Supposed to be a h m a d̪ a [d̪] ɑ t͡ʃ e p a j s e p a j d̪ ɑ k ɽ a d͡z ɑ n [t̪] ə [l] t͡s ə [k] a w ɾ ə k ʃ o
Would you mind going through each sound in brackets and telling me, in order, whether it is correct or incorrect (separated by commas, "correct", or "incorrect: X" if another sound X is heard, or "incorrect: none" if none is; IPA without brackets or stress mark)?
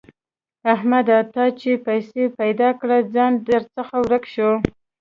incorrect: t̪, incorrect: d̪, incorrect: ɾ, incorrect: x